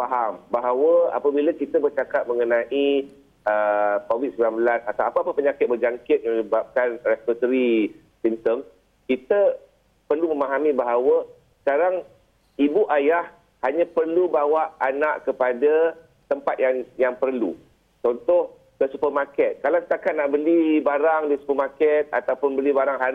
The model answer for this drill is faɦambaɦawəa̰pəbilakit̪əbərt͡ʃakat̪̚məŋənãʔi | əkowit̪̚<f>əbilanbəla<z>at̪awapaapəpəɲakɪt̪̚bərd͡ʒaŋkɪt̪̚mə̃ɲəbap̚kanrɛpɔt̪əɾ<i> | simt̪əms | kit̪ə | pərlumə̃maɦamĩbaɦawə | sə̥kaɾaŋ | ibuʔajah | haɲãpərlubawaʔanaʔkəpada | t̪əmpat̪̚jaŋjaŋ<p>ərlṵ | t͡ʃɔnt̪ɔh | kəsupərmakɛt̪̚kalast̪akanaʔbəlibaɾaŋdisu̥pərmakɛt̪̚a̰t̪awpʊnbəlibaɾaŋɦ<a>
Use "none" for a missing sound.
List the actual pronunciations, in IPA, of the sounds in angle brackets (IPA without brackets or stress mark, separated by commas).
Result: s, s, i, p, a